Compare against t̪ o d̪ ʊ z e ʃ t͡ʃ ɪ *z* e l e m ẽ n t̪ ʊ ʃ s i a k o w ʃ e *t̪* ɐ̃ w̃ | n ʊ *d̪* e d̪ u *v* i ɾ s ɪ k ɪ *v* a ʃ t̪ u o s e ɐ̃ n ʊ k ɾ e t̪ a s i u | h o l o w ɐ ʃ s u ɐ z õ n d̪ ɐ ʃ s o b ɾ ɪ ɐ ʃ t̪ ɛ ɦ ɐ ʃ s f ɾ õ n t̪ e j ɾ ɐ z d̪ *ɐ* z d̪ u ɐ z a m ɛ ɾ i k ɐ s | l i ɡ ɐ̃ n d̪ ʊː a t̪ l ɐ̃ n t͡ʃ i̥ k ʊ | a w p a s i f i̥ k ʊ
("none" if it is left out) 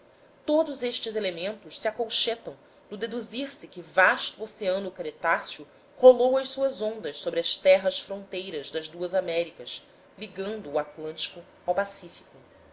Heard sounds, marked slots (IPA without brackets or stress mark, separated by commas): z, t̪, d̪, z, v, ɐ